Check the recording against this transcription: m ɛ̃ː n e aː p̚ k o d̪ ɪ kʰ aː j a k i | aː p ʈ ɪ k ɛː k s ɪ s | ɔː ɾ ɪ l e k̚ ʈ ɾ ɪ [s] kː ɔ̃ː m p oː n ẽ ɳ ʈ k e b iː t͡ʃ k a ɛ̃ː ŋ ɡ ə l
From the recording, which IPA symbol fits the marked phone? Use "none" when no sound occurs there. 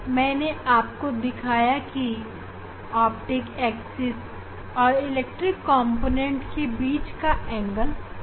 none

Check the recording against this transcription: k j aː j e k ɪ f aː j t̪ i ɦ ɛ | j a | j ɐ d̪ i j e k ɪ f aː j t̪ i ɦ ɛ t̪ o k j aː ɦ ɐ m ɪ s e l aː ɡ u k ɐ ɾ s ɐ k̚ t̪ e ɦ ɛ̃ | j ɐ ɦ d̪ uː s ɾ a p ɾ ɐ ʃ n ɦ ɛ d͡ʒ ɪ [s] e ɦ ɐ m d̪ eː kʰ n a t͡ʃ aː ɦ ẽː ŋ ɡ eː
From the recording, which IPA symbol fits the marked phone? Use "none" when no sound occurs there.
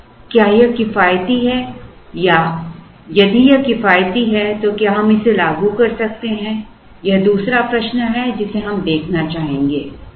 s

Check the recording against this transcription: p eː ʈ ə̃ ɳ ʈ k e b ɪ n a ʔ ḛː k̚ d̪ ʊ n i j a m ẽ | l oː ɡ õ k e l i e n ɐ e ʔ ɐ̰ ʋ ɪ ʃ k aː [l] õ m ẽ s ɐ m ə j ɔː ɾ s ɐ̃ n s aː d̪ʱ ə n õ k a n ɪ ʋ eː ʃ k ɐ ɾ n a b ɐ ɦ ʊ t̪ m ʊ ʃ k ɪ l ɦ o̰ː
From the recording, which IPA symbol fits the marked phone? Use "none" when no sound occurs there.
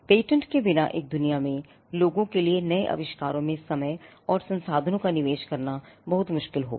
ɾ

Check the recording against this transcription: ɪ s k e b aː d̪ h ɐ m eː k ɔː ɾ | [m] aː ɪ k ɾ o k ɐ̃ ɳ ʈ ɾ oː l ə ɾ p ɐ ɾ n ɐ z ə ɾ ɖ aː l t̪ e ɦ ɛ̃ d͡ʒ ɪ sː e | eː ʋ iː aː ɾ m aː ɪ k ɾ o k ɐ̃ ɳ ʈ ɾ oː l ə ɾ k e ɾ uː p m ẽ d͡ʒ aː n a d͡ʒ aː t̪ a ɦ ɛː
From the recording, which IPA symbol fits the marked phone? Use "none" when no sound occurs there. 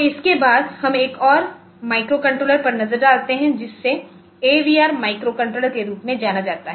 m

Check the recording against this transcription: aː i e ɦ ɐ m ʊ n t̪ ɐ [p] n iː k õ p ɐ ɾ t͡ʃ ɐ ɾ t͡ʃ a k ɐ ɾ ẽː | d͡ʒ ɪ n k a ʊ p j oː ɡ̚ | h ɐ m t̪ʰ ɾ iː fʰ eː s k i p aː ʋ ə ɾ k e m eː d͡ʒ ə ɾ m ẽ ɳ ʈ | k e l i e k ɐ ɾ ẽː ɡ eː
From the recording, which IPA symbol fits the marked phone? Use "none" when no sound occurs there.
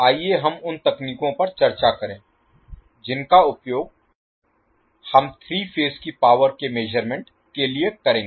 k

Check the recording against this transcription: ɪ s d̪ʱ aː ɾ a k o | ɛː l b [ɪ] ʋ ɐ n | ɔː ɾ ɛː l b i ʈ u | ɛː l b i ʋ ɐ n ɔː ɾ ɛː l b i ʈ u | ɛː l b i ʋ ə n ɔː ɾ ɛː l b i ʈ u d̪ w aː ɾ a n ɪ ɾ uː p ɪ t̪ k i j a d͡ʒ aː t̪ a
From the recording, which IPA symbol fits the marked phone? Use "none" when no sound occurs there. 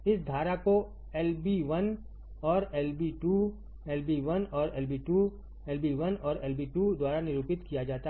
i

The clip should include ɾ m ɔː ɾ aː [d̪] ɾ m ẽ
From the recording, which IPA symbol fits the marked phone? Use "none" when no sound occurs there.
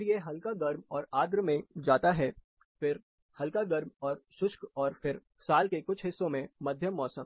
d̪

